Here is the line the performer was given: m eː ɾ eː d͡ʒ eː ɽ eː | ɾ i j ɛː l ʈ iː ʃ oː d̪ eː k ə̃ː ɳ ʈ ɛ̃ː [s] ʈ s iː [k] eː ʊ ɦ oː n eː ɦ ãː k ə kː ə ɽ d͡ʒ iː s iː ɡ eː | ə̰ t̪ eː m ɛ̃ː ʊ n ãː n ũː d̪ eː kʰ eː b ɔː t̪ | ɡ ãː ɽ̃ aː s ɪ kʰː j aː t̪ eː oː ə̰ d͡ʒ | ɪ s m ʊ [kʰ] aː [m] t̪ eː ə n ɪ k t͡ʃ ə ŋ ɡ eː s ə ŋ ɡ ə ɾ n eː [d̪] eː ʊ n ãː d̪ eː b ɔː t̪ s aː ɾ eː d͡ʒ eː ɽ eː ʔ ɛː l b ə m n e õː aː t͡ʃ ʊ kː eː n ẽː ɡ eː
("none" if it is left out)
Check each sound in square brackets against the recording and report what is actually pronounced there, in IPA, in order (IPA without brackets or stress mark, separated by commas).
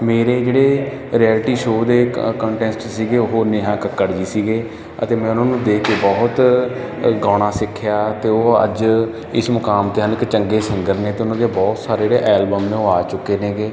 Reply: s, ɡ, k, m, t̪